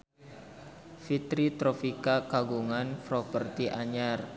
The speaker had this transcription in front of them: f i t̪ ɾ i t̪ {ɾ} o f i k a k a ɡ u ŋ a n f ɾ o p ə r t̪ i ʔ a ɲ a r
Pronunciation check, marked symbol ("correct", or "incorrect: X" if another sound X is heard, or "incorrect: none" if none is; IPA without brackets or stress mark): correct